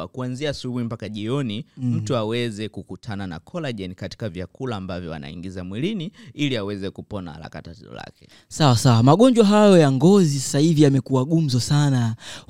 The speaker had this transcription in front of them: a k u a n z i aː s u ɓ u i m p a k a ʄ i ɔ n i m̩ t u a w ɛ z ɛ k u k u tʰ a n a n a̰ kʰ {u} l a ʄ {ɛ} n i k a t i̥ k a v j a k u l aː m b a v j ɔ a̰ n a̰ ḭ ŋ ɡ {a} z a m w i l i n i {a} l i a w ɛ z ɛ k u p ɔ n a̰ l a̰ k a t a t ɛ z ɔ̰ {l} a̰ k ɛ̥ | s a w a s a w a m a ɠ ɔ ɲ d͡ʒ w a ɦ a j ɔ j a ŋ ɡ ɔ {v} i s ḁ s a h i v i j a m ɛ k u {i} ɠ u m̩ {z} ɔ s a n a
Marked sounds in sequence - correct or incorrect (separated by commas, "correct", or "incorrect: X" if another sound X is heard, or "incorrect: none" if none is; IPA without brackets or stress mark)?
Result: incorrect: ɔ, correct, incorrect: i, incorrect: i, correct, incorrect: z, incorrect: a, correct